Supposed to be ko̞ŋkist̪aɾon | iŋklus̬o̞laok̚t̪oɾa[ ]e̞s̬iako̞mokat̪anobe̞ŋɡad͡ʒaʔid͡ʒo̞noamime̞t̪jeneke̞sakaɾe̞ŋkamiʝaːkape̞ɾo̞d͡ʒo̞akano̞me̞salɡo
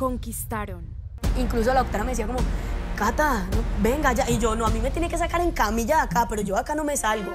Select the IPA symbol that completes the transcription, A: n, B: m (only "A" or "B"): B